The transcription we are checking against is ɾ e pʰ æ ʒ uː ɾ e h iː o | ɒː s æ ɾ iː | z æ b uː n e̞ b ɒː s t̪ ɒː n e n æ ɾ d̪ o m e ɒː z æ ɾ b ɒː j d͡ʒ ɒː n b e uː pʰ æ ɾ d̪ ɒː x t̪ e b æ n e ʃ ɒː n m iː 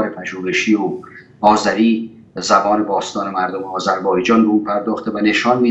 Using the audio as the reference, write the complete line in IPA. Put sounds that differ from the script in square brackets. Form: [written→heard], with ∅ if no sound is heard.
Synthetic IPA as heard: ɾ e pʰ æ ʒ uː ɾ e [h→ʃ] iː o | ɒː [s→z] æ ɾ iː | z æ b [uː→ɒː] n e̞ b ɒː s t̪ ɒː n e [n→m] æ ɾ d̪ o m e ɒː z æ ɾ b ɒː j d͡ʒ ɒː n b e uː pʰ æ ɾ d̪ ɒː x t̪ e [b→v] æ n e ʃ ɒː n m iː